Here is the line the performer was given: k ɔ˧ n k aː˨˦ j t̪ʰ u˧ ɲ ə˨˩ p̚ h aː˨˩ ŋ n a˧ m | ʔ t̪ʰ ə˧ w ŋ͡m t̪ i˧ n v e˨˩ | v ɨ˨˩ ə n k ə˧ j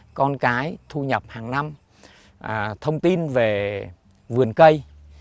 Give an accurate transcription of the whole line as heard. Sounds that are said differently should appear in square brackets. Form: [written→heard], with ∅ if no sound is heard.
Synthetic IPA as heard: k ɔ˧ n k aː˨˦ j t̪ʰ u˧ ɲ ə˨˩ p̚ h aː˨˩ ŋ n a˧ m | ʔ t̪ʰ ə˧ w ŋ͡m t̪ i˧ n v e˨˩ | v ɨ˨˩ ə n k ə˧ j